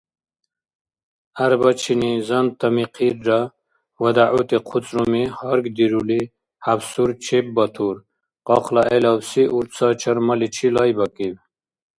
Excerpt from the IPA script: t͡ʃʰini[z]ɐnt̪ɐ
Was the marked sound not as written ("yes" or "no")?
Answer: no